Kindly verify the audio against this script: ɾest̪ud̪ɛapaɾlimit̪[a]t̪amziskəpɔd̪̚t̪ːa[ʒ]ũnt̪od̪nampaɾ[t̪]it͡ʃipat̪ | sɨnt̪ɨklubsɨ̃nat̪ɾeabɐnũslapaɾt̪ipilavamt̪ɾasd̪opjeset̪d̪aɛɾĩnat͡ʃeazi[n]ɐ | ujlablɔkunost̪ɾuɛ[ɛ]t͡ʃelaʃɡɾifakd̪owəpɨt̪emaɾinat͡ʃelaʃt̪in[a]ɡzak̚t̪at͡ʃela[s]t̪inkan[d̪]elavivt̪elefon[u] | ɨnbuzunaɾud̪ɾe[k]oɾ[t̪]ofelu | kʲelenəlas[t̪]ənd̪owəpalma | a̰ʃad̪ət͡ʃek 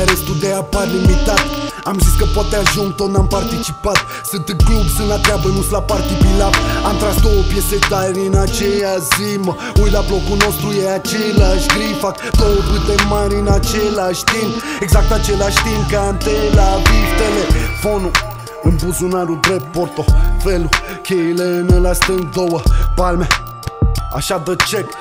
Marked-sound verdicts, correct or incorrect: correct, correct, correct, incorrect, incorrect, incorrect, incorrect, incorrect, correct, incorrect, correct, correct

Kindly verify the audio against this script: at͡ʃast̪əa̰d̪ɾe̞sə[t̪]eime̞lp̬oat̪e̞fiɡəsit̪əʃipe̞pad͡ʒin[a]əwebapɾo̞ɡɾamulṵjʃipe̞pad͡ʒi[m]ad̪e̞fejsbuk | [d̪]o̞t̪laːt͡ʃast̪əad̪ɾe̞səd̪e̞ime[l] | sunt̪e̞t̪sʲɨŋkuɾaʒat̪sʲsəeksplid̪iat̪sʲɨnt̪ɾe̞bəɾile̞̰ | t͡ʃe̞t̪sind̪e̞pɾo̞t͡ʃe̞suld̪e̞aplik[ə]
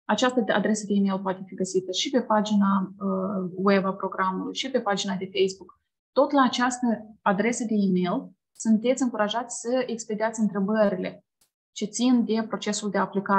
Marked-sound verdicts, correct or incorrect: incorrect, correct, incorrect, incorrect, correct, incorrect

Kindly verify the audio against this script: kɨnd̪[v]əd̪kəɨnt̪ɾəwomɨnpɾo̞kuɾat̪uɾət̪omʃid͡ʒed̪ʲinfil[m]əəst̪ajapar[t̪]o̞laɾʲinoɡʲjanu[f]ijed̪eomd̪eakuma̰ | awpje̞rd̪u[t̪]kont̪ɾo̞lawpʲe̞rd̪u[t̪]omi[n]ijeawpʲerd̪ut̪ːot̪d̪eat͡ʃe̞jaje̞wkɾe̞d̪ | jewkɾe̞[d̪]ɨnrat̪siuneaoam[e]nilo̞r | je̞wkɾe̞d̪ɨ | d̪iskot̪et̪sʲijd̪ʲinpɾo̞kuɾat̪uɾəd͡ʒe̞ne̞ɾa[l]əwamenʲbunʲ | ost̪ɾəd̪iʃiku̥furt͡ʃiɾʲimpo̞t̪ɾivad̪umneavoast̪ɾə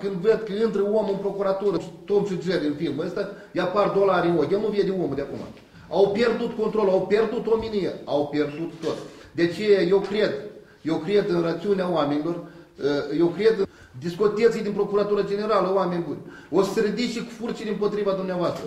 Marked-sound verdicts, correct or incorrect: correct, correct, incorrect, incorrect, correct, correct, correct, correct, correct, correct

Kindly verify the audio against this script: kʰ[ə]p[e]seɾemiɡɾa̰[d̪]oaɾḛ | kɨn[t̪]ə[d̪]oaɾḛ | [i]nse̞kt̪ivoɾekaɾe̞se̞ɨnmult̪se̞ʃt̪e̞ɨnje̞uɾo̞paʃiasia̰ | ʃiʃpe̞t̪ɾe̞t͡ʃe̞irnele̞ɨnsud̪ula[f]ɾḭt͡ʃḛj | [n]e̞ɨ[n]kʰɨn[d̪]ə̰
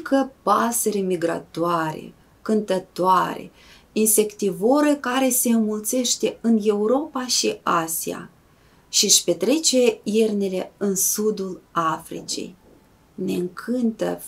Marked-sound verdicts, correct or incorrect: correct, incorrect, incorrect, correct, incorrect, correct, correct, correct, incorrect, incorrect

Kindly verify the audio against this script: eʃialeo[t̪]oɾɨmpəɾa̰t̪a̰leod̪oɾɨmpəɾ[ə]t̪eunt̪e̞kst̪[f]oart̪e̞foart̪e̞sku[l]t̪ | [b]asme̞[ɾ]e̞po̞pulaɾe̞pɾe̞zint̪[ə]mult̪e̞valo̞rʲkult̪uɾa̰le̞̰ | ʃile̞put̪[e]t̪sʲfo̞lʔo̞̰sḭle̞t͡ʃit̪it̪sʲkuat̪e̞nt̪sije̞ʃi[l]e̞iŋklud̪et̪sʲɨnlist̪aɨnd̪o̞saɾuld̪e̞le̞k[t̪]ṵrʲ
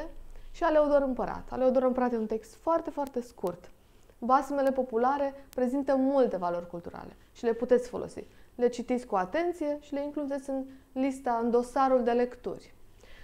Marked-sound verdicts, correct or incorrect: incorrect, incorrect, correct, incorrect, correct, incorrect, correct, correct, correct, correct

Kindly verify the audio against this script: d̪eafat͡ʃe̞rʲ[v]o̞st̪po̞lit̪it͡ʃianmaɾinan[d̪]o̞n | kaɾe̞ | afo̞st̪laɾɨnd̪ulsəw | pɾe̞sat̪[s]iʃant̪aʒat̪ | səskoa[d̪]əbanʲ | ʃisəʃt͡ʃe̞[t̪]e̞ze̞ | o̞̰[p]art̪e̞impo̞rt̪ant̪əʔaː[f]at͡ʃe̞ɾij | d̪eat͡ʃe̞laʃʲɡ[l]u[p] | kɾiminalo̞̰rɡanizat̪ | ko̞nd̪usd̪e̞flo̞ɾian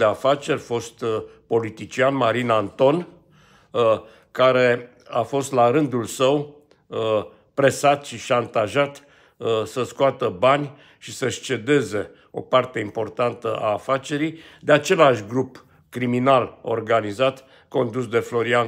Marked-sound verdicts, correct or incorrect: incorrect, incorrect, incorrect, incorrect, incorrect, correct, correct, incorrect, correct

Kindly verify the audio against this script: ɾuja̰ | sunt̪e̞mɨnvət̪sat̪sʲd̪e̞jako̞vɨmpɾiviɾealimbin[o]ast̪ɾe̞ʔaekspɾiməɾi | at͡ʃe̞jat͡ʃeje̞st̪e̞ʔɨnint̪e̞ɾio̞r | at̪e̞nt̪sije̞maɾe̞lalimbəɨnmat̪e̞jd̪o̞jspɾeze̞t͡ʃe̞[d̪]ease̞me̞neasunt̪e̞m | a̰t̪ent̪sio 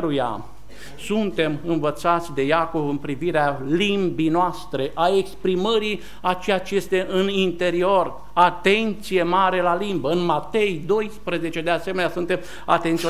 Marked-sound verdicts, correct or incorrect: correct, correct

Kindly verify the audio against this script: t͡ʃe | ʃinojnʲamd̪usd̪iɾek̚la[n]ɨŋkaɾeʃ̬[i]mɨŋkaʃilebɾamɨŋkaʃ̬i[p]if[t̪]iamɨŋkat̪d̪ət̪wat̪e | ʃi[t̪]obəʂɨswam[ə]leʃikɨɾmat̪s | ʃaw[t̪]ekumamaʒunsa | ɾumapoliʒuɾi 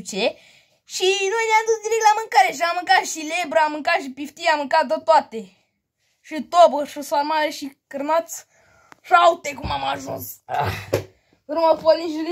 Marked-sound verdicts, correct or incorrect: incorrect, incorrect, correct, correct, correct, incorrect, correct

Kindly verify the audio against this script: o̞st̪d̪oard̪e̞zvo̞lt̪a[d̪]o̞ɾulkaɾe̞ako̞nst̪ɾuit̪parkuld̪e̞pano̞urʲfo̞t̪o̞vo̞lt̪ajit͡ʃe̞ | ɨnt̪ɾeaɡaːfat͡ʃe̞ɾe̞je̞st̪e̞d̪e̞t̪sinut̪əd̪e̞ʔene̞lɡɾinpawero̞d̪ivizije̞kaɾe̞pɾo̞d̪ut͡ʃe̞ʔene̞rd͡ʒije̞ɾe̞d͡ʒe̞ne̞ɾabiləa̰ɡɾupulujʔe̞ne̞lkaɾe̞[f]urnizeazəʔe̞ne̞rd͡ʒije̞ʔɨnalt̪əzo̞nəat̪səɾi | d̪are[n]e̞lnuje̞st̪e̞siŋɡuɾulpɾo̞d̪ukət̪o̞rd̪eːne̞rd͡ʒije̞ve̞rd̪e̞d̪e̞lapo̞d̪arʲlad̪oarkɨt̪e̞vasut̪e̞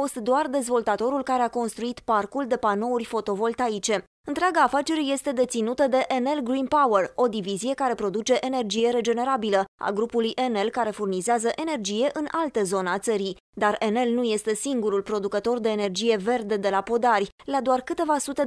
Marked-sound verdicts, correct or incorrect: incorrect, correct, correct

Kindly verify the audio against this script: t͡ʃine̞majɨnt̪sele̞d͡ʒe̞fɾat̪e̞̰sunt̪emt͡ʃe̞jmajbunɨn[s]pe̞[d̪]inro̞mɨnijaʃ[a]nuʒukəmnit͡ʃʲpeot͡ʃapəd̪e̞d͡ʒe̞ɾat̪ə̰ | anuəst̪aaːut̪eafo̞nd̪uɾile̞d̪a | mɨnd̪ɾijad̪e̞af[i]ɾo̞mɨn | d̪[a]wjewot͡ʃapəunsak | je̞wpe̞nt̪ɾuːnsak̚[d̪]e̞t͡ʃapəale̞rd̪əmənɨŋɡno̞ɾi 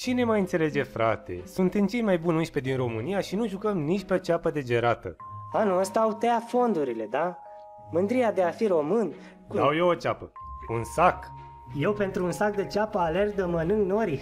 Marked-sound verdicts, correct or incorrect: incorrect, correct, incorrect, correct, correct, correct

